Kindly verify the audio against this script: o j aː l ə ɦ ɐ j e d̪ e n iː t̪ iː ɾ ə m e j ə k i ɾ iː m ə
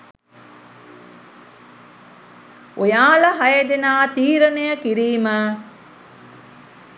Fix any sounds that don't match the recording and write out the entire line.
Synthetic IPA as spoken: o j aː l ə ɦ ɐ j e d̪ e n aː t̪ iː ɾ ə n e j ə k i ɾ iː m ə